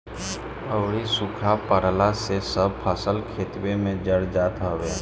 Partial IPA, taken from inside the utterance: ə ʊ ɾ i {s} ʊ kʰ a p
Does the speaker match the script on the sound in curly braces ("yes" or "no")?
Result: yes